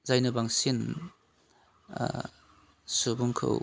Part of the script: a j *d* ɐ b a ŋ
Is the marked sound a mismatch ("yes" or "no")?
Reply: yes